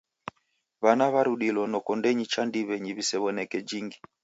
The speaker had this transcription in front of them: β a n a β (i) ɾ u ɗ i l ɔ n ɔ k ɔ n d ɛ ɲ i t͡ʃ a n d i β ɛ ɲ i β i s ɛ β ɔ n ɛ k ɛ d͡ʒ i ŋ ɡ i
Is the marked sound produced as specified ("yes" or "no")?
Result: no